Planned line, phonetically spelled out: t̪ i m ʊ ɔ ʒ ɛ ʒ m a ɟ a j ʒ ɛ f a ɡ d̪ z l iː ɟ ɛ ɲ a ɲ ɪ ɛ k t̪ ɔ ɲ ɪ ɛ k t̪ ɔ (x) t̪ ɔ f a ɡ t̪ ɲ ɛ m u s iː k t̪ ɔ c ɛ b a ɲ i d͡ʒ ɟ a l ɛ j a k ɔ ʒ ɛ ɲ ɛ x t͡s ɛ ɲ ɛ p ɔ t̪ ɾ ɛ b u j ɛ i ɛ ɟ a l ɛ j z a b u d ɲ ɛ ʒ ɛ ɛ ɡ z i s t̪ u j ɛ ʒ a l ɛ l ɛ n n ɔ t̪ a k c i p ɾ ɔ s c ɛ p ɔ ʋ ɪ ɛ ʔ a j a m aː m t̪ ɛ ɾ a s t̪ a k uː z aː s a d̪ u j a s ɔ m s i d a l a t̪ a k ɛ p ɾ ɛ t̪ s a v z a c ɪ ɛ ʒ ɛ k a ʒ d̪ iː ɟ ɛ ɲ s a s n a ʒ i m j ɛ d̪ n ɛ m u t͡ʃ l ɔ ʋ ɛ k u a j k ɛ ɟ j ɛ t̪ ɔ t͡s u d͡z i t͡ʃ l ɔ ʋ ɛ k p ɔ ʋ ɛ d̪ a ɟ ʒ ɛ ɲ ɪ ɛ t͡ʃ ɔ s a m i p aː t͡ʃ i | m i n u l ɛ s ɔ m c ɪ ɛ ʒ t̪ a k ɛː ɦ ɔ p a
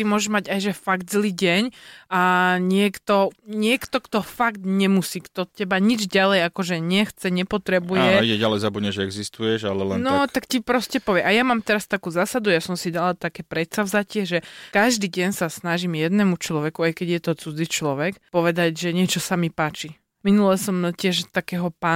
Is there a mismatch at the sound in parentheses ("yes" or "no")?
yes